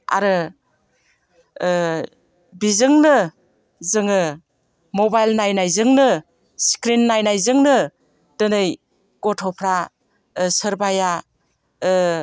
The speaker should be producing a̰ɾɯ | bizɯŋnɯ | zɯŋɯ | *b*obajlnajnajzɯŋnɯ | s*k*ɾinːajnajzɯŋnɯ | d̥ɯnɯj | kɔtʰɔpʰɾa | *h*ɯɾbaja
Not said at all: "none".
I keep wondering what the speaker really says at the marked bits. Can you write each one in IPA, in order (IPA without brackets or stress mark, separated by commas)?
m, k, s